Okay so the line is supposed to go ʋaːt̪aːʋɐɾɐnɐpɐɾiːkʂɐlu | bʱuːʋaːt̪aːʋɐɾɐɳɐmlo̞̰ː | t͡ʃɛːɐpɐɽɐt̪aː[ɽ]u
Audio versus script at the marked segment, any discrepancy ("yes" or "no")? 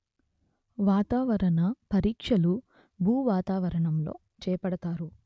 yes